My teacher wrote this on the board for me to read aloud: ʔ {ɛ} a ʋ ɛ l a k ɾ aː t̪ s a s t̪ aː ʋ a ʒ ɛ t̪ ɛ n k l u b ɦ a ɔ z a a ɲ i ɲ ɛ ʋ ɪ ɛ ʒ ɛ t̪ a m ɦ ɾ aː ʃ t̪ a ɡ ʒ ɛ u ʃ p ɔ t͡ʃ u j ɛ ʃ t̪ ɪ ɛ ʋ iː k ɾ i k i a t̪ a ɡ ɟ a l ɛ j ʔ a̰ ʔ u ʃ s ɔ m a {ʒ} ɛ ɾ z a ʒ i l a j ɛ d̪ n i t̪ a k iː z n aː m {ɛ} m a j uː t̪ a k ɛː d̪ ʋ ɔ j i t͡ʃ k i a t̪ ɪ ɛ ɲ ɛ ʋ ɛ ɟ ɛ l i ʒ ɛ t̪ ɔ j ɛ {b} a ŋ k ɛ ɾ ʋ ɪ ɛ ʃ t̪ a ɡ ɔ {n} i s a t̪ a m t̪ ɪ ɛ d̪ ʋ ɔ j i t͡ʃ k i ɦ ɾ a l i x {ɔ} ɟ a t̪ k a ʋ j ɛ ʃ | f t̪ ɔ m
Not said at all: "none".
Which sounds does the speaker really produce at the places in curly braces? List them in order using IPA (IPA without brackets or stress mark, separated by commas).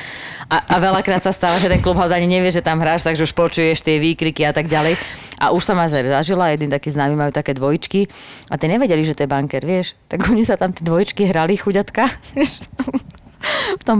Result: a, z, i, b, ɲ, u